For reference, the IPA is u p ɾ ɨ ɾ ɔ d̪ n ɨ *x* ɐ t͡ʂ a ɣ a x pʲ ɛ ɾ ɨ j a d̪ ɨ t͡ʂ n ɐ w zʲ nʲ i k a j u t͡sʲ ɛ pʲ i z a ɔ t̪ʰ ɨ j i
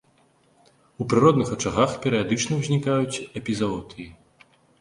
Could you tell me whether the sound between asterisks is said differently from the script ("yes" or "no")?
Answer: no